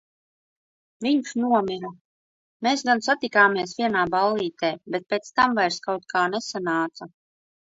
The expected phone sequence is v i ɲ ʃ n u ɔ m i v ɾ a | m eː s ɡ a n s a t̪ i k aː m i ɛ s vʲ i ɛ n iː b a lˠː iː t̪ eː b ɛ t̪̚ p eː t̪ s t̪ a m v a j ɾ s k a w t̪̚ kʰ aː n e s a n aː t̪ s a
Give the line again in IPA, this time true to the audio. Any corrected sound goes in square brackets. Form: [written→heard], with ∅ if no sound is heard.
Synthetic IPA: v i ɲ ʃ n u ɔ m i [v→∅] ɾ a | m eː s ɡ a n s a t̪ i k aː m i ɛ s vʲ i ɛ n [iː→aː] b a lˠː iː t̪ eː b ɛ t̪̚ p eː t̪ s t̪ a m v a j ɾ s k a w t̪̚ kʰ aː n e s a n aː t̪ s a